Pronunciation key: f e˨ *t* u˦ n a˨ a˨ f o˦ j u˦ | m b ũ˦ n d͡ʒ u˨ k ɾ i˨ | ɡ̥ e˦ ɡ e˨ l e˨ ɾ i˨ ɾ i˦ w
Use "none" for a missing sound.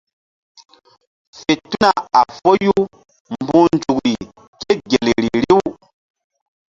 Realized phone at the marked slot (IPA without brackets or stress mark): t